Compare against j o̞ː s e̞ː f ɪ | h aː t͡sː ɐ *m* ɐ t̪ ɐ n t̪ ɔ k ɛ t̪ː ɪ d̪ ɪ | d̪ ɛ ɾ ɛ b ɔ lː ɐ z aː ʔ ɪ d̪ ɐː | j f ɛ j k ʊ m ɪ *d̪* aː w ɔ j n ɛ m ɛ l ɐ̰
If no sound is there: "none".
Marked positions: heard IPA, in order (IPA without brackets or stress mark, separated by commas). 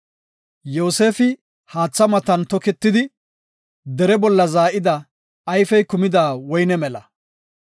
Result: m, d̪